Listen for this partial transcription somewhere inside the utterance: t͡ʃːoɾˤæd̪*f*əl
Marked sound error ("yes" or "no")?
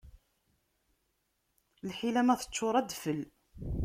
no